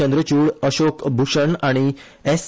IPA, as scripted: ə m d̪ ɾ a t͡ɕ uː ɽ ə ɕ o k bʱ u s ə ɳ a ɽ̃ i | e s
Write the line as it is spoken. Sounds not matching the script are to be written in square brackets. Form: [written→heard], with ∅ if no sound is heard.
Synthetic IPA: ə [m→n] d̪ ɾ [a→ə] t͡ɕ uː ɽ ə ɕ o k bʱ u [s→ʂ] ə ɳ a ɽ̃ i | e s